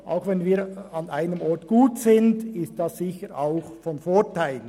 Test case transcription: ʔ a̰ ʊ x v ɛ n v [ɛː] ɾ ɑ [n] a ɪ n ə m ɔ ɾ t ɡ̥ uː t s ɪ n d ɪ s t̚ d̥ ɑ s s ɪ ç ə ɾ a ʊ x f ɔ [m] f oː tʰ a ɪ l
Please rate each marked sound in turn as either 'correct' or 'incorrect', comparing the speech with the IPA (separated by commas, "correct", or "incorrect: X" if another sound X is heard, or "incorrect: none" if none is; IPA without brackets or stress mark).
incorrect: iː, correct, incorrect: n